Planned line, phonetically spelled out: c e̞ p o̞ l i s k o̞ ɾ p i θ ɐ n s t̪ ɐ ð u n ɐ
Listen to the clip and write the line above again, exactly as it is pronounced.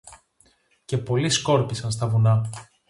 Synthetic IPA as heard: c e̞ p o̞ l i s k o̞ ɾ p i s ɐ n s t̪ ɐ v u n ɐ